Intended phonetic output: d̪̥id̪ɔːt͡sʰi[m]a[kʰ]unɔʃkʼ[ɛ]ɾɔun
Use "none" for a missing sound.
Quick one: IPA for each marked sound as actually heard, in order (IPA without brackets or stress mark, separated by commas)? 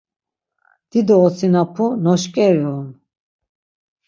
n, pʰ, ɛ